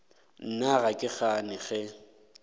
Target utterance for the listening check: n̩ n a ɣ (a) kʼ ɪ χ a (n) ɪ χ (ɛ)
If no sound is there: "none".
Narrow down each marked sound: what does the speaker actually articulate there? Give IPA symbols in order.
a, n, ɛ

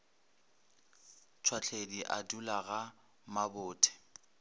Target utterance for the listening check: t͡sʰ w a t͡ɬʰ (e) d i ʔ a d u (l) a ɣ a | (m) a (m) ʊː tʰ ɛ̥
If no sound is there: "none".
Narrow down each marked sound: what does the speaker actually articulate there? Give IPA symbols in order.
e, l, m, b

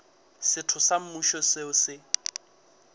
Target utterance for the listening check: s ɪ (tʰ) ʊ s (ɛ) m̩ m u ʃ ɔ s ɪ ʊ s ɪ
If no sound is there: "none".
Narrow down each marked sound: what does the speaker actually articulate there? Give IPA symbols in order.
tʰ, a

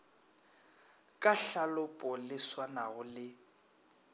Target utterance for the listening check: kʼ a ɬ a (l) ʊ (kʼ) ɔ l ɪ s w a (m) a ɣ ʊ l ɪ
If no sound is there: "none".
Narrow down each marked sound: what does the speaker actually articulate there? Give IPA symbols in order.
l, pʼ, n

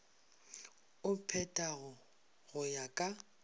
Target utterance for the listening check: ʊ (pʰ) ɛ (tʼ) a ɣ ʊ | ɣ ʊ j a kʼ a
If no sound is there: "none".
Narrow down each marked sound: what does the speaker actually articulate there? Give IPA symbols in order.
pʰ, tʼ

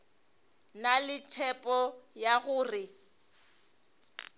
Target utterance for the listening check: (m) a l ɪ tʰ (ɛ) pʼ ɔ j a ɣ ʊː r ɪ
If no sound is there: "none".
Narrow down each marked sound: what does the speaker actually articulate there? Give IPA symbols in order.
n, ɛ

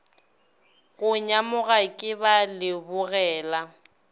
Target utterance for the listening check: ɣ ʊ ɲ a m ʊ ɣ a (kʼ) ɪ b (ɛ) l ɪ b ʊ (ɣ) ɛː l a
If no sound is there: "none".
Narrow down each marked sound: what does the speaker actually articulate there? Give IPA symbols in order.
kʼ, a, ɣ

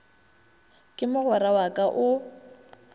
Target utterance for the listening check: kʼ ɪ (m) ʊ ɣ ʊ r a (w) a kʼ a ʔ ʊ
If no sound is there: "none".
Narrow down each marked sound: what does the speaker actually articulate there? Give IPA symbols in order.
m, w

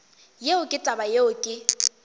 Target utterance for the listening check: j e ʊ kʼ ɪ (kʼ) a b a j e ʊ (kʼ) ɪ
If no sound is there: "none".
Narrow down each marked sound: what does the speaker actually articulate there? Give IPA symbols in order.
tʼ, kʼ

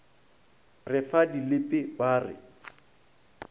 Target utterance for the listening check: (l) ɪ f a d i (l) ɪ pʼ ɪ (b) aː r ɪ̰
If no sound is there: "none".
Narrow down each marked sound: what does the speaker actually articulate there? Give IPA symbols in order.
r, l, b

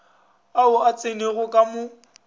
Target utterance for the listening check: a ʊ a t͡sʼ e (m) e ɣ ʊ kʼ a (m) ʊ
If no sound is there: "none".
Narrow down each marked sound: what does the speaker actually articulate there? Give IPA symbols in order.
n, m

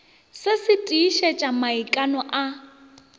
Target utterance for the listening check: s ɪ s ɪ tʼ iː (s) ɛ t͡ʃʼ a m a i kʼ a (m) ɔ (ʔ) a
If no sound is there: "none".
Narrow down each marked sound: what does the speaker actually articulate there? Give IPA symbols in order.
ʃ, n, ʔ

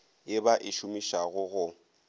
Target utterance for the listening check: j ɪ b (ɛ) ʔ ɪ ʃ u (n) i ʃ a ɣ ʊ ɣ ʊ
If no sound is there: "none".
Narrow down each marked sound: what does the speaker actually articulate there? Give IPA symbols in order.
a, m

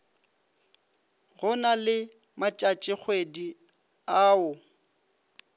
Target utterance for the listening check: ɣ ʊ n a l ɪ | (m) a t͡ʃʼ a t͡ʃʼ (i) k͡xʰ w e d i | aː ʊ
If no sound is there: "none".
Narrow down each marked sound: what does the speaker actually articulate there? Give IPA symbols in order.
m, ɪ

